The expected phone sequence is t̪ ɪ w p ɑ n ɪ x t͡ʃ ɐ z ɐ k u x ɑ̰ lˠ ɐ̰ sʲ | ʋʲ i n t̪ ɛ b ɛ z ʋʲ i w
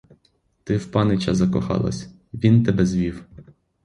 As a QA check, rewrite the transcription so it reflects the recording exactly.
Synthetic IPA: t̪ ɪ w p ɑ n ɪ t͡ʃ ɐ z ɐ k ɔ x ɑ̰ lˠ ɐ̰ sʲ | ʋʲ i n t̪ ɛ b ɛ z ʋʲ i w